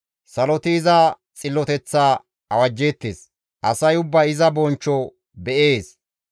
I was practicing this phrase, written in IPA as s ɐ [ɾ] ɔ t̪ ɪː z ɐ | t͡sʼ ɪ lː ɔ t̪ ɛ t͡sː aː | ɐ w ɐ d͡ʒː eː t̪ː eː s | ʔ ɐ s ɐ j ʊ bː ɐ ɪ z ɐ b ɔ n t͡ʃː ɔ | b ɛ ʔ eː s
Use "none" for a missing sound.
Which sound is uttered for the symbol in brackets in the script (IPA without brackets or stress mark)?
l